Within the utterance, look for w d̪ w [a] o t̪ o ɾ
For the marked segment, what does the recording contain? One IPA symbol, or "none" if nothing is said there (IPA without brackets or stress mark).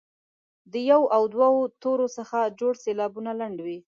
a